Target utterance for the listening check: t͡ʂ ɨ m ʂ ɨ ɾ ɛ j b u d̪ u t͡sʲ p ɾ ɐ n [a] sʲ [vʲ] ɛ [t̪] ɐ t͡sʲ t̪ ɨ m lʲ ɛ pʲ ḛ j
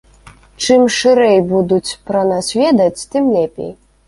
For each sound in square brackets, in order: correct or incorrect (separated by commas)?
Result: correct, correct, incorrect